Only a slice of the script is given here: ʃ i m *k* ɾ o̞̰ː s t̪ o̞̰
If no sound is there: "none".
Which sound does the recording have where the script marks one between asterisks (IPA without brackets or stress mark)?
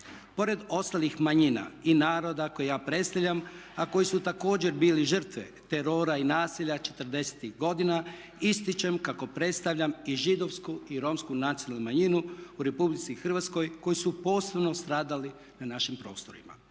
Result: p